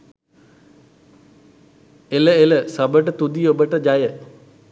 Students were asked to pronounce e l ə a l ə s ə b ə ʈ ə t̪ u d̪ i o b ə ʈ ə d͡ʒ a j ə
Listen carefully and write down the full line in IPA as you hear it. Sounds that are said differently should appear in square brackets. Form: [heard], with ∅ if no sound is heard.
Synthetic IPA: e l ə [e] l ə s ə b ə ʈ ə t̪ u d̪ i o b ə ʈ ə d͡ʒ a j ə